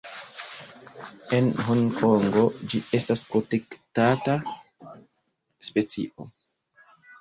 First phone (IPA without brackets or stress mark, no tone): e̞